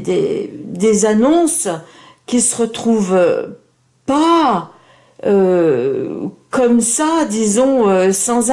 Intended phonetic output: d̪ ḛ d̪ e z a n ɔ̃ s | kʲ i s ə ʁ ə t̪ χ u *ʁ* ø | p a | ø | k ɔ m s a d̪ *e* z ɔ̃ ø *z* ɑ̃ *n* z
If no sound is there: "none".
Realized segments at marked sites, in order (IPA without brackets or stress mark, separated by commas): v, i, s, none